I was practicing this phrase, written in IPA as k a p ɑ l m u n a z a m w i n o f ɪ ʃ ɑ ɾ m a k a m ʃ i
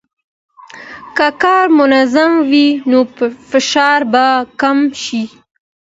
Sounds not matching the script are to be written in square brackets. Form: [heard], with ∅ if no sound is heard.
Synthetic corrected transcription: k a [k] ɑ [ɾ] m [ʊ] n a z a m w i n o f ɪ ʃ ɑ ɾ [b] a k a m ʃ i